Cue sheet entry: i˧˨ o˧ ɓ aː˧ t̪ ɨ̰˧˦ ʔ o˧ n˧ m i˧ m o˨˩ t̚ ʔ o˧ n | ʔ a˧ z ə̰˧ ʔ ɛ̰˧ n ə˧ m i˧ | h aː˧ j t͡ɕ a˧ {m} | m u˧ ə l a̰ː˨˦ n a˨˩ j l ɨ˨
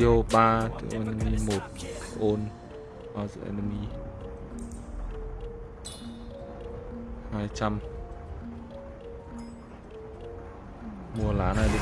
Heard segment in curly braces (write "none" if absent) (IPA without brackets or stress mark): m